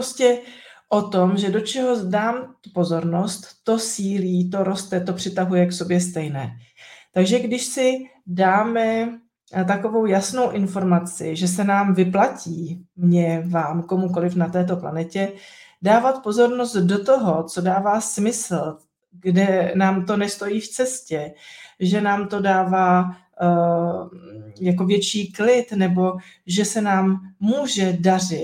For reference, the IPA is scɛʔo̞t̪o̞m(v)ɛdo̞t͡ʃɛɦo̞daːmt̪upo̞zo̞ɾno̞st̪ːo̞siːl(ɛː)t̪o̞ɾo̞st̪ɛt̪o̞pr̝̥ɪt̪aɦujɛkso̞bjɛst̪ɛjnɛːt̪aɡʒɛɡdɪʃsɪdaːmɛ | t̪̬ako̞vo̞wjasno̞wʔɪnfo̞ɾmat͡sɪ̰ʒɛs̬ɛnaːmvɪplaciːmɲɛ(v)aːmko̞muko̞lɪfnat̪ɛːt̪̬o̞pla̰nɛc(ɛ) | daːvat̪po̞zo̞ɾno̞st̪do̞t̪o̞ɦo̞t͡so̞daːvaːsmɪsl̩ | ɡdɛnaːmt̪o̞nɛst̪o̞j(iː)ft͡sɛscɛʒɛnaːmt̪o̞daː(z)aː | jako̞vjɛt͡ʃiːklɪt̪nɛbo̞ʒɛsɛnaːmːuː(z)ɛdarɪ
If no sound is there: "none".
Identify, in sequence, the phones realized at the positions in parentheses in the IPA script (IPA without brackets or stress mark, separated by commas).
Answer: ʒ, iː, v, ɛ, iː, v, ʒ